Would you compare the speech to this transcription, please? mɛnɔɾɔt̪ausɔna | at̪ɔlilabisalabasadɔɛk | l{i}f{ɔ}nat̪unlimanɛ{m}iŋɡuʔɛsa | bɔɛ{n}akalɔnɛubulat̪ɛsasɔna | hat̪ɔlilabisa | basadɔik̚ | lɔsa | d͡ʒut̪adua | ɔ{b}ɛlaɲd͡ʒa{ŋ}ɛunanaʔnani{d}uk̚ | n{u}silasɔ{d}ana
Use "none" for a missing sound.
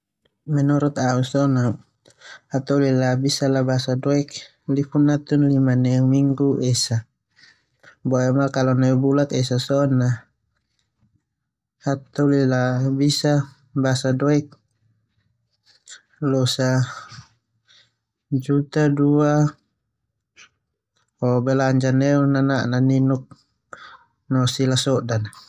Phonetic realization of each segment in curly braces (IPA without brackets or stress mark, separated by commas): i, u, m, m, b, n, n, ɔ, d